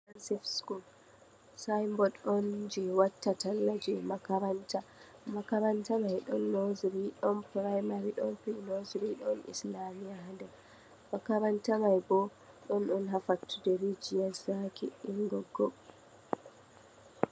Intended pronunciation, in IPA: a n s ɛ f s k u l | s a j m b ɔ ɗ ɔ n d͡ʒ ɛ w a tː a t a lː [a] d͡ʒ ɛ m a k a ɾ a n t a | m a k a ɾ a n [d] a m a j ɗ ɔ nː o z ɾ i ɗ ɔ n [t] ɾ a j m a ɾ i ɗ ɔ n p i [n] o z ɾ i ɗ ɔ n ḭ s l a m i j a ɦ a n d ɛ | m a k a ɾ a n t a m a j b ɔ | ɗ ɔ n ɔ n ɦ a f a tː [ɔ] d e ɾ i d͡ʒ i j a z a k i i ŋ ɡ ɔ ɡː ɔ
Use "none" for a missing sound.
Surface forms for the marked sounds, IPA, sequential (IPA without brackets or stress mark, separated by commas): a, t, p, n, u